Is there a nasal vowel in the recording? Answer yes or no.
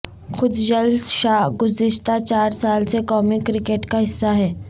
no